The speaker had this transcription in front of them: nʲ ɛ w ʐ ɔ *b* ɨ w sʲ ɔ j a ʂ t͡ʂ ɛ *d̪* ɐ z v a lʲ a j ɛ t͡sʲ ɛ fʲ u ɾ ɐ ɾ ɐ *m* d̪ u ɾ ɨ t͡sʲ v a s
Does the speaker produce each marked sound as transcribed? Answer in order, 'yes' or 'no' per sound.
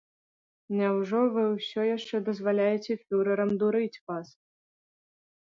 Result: no, yes, yes

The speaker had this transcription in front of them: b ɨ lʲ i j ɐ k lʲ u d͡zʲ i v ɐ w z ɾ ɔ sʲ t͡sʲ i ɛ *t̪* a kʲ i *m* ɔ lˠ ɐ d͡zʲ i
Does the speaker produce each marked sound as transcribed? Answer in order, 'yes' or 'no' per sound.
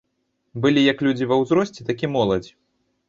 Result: yes, yes

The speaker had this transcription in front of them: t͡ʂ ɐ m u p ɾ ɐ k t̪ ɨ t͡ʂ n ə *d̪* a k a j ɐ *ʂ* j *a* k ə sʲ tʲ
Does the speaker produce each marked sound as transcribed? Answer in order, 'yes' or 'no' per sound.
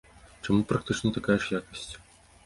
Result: no, yes, yes

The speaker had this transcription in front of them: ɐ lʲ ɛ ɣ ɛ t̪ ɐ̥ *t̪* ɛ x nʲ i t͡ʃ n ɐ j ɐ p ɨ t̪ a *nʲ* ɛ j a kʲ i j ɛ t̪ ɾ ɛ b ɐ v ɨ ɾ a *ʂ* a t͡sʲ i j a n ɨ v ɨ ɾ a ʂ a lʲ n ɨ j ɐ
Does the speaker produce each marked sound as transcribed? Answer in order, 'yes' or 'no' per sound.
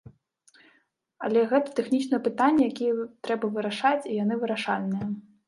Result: yes, no, yes

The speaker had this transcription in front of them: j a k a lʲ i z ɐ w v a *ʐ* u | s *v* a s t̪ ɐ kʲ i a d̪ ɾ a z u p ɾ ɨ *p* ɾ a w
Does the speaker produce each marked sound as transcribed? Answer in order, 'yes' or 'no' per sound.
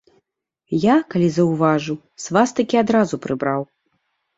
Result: yes, yes, no

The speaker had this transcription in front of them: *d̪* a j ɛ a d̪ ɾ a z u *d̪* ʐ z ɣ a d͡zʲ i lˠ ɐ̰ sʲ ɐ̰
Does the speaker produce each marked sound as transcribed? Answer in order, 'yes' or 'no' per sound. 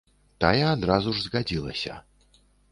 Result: no, no

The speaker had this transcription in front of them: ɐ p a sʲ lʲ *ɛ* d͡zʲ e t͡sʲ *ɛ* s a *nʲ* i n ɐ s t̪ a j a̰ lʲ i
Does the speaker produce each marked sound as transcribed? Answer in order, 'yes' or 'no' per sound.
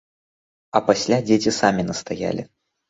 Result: no, no, no

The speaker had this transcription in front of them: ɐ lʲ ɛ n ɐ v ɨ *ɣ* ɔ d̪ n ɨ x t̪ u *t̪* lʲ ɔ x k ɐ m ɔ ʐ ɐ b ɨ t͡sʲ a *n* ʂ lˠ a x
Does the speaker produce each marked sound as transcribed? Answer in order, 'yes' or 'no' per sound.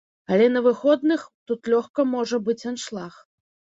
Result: no, yes, yes

